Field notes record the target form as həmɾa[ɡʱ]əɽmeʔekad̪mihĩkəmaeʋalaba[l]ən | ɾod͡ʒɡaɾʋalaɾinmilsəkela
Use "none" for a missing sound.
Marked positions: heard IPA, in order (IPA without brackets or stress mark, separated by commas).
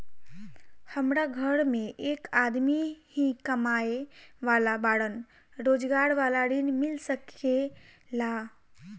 ɡʱ, ɽ